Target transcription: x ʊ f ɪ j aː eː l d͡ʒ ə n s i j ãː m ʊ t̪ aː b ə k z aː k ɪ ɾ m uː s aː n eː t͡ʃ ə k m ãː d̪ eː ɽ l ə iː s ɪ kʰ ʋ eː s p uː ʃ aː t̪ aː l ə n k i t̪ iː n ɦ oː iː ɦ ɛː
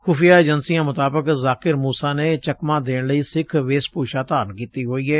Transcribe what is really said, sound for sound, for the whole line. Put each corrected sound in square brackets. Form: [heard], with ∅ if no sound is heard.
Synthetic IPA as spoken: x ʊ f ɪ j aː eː [∅] d͡ʒ ə n s i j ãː m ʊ t̪ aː b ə k z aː k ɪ ɾ m uː s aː n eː t͡ʃ ə k m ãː d̪ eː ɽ l ə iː s ɪ kʰ ʋ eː s p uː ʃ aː t̪ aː [ɾ] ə n k [iː] t̪ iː [∅] ɦ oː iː ɦ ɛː